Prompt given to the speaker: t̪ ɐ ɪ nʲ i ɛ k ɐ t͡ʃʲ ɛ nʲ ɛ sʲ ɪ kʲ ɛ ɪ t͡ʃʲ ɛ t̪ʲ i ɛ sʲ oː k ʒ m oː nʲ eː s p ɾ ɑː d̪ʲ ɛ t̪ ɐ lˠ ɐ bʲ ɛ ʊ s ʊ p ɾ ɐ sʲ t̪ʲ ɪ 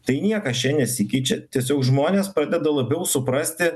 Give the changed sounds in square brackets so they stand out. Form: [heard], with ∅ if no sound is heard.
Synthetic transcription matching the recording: t̪ ɐ ɪ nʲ i ɛ k ɐ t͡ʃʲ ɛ nʲ ɛ sʲ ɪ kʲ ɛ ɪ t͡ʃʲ ɛ t̪ʲ i ɛ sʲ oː k ʒ m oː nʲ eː s p ɾ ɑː d̪ʲ ɛ [d̪] ɐ lˠ ɐ bʲ ɛ ʊ s ʊ p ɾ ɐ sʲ t̪ʲ ɪ